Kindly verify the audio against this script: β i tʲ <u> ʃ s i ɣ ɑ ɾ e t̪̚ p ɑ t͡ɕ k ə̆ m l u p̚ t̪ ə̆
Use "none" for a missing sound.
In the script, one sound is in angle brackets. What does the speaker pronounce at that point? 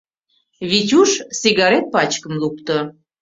u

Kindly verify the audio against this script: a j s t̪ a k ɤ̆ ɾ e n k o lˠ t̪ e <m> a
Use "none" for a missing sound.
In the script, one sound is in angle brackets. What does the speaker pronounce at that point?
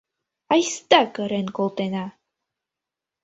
n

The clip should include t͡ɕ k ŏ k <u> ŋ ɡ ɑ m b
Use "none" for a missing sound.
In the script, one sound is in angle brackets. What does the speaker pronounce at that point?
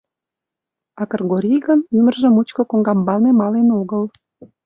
o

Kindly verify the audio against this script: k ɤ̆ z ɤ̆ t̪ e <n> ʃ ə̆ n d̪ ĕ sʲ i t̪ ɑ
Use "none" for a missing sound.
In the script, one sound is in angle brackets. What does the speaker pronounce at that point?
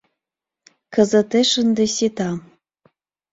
none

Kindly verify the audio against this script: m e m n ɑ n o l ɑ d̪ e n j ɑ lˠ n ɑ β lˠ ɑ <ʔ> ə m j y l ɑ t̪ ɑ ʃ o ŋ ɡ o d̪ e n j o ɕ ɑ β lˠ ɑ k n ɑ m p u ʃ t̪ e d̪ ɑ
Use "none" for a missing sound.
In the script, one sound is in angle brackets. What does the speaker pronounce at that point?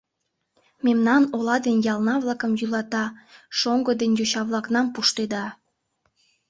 k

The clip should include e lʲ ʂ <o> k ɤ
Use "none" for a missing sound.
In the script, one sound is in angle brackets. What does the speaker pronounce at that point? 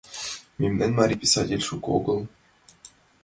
u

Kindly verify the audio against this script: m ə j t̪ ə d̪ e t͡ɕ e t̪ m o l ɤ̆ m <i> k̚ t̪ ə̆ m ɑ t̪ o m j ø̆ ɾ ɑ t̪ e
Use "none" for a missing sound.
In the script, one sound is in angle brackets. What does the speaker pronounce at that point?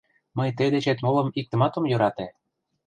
i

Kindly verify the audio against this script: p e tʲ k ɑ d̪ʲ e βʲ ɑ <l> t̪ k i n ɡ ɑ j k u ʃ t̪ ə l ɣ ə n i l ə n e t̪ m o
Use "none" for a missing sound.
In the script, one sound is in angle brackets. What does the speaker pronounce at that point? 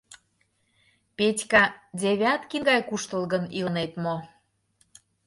none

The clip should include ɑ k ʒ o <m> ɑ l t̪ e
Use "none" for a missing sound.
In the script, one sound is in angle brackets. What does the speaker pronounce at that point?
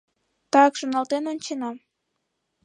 n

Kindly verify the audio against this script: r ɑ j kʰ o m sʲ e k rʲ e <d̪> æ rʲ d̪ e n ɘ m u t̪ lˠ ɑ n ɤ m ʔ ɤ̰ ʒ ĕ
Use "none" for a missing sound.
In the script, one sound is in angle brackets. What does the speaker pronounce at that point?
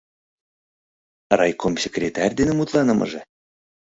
t̪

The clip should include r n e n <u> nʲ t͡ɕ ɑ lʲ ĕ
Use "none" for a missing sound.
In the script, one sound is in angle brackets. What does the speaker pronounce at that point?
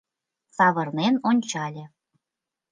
o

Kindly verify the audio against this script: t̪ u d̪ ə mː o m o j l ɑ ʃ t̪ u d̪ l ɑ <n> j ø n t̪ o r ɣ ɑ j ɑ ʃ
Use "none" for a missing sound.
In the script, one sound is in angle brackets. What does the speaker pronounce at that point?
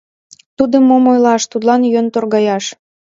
n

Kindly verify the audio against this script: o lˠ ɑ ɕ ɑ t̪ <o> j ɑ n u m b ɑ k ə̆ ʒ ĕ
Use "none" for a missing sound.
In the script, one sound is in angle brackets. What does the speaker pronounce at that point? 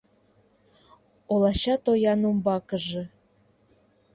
o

